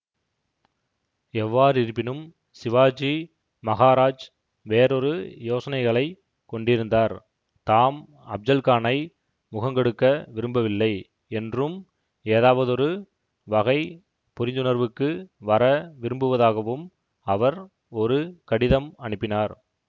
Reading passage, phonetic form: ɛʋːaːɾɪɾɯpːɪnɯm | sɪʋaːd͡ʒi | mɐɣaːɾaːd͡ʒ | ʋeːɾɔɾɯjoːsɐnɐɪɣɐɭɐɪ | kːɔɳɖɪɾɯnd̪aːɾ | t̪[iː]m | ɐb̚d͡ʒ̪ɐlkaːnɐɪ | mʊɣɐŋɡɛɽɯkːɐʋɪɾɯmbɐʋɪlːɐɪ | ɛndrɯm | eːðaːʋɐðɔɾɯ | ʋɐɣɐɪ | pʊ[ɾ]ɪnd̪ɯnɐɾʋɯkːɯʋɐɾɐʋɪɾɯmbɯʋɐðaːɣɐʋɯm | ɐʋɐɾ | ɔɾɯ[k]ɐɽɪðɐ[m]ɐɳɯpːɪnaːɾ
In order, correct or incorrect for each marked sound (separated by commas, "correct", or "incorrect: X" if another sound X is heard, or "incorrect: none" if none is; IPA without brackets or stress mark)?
incorrect: aː, correct, correct, correct